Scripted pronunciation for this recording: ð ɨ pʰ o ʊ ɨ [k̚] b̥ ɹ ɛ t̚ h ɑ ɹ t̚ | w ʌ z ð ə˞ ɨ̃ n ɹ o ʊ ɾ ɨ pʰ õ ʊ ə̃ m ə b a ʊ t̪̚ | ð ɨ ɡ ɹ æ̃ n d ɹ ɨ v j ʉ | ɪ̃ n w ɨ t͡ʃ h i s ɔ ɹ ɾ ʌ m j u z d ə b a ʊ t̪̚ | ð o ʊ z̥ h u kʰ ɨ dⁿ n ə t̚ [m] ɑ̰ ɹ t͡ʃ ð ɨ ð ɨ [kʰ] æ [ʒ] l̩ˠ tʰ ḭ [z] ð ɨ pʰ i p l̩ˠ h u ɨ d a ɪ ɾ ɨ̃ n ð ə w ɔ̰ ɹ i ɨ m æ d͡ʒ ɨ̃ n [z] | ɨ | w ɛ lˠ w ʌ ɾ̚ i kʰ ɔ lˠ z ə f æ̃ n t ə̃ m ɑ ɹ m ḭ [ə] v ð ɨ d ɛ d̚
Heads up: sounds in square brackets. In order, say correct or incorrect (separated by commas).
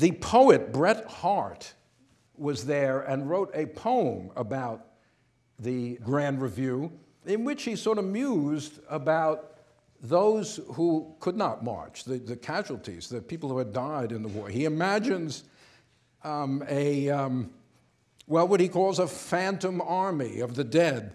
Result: incorrect, correct, correct, correct, correct, correct, incorrect